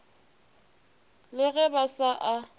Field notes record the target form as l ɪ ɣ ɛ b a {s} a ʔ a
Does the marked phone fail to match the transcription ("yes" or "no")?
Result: no